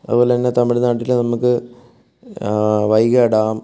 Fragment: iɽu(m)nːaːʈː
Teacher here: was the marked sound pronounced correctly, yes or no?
no